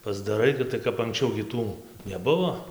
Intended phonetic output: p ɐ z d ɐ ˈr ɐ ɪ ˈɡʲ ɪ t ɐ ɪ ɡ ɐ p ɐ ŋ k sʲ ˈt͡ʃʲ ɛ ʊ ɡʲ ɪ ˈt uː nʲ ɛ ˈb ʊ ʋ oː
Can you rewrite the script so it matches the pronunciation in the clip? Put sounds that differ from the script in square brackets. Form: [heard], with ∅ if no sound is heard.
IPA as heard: p ɐ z d ɐ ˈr ɐ ɪ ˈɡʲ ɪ t ɐ ɪ [k] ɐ p ɐ ŋ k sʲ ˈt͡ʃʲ ɛ ʊ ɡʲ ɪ ˈt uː nʲ ɛ ˈb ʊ ʋ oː

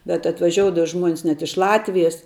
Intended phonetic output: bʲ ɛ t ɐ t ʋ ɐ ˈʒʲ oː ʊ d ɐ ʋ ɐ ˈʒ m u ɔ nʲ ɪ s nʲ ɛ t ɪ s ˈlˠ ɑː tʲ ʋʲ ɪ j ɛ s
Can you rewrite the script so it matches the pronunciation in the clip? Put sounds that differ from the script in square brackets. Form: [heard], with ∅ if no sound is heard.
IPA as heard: bʲ ɛ t ɐ t ʋ ɐ ˈʒʲ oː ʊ d ɐ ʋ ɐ ˈʒ m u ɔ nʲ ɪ s nʲ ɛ t ɪ [ʃ] ˈlˠ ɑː tʲ ʋʲ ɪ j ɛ s

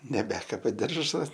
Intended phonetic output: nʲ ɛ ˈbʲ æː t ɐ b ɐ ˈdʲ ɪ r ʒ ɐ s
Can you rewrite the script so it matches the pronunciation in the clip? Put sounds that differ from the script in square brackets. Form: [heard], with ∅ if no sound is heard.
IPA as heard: nʲ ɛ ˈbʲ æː [k] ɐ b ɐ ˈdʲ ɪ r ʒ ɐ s

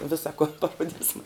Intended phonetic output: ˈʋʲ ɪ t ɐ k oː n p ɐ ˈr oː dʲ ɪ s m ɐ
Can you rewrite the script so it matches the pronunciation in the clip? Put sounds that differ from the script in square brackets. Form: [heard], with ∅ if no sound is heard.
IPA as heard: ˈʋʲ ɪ [s] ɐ k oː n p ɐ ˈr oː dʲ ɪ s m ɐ

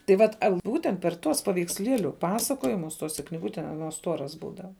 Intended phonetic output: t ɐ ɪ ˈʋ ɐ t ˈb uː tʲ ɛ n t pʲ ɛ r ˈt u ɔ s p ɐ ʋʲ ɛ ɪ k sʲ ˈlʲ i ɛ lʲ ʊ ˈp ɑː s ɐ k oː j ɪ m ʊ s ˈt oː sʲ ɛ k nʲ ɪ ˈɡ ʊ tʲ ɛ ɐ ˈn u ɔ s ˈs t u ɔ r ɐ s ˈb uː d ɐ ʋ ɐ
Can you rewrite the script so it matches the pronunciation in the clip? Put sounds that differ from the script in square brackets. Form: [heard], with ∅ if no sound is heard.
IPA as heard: t ɐ ɪ ˈʋ ɐ t ˈb uː tʲ ɛ n t pʲ ɛ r ˈt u ɔ s p ɐ ʋʲ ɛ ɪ k sʲ ˈlʲ i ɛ lʲ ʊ ˈp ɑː s ɐ k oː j ɪ m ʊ s ˈt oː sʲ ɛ k nʲ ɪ ˈɡ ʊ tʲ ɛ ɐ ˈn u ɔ s ˈs t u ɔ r ɐ s ˈb uː d ɐ ʋ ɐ

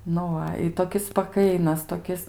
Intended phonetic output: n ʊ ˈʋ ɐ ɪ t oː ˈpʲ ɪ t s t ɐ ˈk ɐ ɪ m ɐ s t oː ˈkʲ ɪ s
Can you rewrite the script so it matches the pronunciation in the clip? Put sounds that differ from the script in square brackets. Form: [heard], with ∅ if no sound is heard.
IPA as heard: n ʊ ˈʋ ɐ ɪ t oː [ˈkʲ] ɪ [s] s [p] ɐ ˈk ɐ ɪ [n] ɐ s t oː ˈkʲ ɪ s

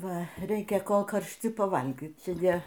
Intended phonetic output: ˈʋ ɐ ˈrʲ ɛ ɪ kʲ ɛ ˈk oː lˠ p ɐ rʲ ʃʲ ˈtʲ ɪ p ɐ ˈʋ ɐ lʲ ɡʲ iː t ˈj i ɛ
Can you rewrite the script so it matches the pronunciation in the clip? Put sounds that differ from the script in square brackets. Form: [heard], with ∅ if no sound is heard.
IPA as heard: ˈʋ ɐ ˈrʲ ɛ ɪ kʲ ɛ ˈk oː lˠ [k] ɐ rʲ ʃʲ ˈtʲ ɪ p ɐ ˈʋ ɐ lʲ ɡʲ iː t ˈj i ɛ

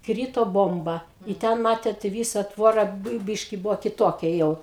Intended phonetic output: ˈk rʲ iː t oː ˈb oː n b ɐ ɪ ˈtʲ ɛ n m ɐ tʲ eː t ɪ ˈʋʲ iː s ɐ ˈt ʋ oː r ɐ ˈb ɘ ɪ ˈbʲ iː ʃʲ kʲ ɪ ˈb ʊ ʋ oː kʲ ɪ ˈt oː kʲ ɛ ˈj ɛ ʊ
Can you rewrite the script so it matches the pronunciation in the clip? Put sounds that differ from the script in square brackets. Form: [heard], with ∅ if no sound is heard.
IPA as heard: ˈk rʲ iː t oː ˈb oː [m] b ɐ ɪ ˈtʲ ɛ n m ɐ tʲ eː t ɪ ˈʋʲ iː s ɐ ˈt ʋ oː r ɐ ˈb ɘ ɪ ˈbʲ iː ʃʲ kʲ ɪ ˈb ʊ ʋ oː kʲ ɪ ˈt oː kʲ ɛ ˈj ɛ ʊ

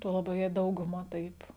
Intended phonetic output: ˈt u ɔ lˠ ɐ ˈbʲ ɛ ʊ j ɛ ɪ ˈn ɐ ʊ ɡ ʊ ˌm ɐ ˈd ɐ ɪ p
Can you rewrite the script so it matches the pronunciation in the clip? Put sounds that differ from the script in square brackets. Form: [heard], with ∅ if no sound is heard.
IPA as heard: ˈt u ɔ lˠ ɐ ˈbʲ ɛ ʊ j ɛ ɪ [ˈd] ɐ ʊ ɡ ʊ ˌm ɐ [ˈt] ɐ ɪ p

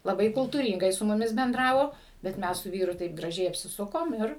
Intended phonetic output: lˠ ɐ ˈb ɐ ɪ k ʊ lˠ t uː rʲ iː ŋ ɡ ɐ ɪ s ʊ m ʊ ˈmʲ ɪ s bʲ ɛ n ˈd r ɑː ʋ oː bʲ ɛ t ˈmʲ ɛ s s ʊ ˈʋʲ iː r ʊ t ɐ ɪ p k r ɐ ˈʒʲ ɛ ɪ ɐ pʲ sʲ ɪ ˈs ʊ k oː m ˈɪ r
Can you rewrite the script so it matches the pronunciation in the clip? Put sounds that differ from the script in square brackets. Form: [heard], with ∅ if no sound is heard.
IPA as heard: lˠ ɐ ˈb ɐ ɪ k ʊ lˠ t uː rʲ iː ŋ ɡ ɐ ɪ s ʊ m ʊ ˈmʲ ɪ s bʲ ɛ n ˈd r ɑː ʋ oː bʲ ɛ t ˈmʲ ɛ s s ʊ ˈʋʲ iː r ʊ t ɐ ɪ p [ɡ] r ɐ ˈʒʲ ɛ ɪ ɐ pʲ sʲ ɪ ˈs ʊ k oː m ˈɪ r

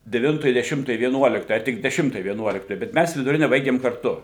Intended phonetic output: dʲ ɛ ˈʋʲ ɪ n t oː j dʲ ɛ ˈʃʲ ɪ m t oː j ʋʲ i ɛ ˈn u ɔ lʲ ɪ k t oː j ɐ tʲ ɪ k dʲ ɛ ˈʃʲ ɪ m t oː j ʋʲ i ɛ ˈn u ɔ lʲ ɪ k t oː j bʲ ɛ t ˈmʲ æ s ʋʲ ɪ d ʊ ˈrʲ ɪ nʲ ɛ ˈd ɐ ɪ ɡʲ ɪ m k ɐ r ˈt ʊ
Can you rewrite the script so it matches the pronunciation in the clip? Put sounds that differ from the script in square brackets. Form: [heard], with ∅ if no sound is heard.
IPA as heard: dʲ ɛ ˈʋʲ ɪ n t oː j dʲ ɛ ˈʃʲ ɪ m t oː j ʋʲ i ɛ ˈn u ɔ lʲ ɪ k t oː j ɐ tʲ ɪ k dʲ ɛ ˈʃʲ ɪ m t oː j ʋʲ i ɛ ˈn u ɔ lʲ ɪ k t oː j bʲ ɛ t ˈmʲ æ s ʋʲ ɪ d ʊ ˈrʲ ɪ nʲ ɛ [ˈb] ɐ ɪ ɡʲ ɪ m k ɐ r ˈt ʊ

